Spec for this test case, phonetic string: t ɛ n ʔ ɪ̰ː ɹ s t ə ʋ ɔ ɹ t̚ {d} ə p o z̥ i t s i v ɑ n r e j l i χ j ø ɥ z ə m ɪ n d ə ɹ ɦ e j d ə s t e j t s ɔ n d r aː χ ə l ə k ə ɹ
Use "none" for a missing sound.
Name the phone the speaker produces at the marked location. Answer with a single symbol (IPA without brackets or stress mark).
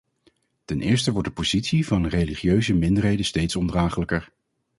d